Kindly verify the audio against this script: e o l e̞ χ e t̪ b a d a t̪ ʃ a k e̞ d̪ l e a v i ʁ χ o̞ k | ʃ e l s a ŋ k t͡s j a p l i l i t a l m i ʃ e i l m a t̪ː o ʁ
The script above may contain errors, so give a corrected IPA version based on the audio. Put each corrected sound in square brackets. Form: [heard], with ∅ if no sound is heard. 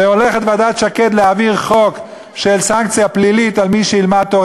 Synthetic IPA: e o l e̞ χ e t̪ [v] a d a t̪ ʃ a k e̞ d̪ l e a v i ʁ χ o̞ k | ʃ e l s a ŋ k t͡s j a p l i l i t a l m i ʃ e i l m a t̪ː o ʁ